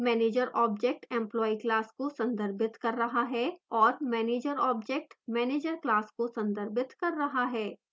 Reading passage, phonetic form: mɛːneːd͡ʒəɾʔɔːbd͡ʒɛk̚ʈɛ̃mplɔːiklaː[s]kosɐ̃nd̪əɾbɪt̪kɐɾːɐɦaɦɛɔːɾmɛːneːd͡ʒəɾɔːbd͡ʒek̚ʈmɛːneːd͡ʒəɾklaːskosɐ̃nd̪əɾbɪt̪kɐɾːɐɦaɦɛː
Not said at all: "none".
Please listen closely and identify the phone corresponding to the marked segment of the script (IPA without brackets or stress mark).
s